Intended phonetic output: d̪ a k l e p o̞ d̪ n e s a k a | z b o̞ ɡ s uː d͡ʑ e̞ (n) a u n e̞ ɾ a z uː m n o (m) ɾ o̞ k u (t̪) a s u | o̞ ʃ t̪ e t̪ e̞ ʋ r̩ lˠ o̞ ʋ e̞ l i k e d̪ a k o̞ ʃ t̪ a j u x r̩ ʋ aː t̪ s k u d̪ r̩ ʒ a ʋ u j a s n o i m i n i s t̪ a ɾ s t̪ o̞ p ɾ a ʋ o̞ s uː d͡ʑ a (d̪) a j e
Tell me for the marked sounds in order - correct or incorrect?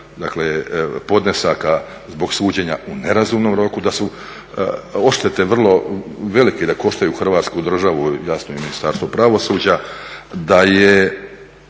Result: incorrect, correct, incorrect, correct

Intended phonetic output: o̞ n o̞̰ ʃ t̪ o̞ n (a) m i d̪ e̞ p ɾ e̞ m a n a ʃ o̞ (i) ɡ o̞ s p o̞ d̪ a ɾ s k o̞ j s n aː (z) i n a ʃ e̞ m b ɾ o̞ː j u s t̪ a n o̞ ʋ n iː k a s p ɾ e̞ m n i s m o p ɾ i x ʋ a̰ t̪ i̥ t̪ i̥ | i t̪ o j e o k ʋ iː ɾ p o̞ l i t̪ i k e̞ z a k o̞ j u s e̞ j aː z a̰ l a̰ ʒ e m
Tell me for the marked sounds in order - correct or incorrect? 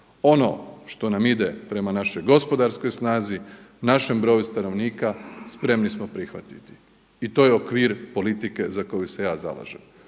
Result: correct, incorrect, correct

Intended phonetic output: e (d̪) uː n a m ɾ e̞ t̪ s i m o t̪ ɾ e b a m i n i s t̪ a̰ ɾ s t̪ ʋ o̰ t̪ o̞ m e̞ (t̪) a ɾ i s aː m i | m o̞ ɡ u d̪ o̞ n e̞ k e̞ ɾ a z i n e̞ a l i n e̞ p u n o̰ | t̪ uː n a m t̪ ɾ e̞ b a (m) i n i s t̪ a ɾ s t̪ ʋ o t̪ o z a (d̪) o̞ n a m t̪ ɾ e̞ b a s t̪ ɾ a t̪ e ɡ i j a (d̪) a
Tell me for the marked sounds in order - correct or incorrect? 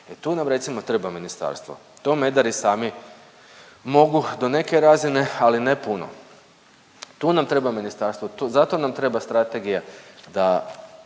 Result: incorrect, incorrect, correct, incorrect, correct

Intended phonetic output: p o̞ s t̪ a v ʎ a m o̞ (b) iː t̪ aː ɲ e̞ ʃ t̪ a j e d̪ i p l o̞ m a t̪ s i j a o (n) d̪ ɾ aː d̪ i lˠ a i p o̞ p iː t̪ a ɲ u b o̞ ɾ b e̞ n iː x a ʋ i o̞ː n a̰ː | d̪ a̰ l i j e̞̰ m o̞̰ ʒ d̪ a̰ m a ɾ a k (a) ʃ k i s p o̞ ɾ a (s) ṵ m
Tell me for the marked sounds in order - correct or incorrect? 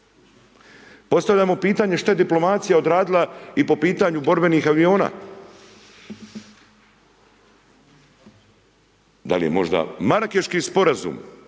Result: incorrect, incorrect, incorrect, incorrect

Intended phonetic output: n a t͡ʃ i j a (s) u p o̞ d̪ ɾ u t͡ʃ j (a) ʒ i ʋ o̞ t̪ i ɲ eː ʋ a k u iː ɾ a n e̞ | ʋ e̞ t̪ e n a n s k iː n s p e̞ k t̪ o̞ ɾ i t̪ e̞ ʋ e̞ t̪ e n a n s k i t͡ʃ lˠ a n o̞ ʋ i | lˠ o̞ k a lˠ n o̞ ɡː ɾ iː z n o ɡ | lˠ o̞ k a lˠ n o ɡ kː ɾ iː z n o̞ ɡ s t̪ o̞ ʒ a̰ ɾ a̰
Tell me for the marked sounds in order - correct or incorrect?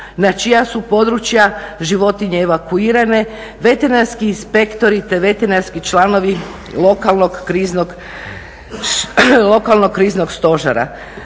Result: correct, correct

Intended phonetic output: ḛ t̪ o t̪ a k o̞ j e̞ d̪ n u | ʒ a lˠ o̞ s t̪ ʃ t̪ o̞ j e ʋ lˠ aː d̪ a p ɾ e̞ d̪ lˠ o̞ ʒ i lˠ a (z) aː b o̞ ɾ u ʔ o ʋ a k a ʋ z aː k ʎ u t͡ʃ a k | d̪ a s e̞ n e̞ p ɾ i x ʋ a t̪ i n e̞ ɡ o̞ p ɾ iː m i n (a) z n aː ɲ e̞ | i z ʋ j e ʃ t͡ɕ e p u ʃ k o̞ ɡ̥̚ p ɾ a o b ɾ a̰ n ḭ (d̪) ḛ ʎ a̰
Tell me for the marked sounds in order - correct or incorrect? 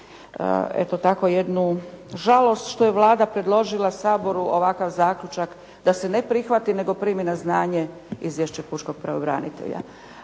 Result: incorrect, correct, incorrect

